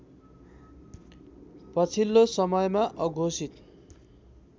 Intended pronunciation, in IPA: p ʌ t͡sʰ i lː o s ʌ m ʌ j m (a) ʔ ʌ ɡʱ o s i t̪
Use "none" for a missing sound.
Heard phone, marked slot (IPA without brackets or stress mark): a